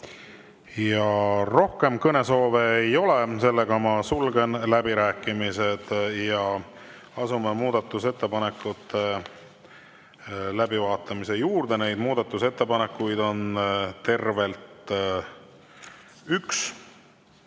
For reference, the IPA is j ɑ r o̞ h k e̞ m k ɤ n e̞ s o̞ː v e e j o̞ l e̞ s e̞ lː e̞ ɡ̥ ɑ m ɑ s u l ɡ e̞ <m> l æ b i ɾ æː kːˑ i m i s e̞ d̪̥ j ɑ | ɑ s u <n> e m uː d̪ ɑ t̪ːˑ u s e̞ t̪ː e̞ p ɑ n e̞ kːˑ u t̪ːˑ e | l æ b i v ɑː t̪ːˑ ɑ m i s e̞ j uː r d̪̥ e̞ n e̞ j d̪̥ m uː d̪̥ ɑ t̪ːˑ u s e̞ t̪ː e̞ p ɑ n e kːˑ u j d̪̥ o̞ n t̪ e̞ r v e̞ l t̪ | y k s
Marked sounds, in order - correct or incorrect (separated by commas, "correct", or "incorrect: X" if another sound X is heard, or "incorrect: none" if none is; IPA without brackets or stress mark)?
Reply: incorrect: n, incorrect: m